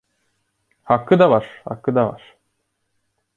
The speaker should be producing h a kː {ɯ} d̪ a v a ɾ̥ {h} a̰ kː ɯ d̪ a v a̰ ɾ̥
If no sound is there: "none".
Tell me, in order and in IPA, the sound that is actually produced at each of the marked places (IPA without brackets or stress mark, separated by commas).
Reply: ɯ, h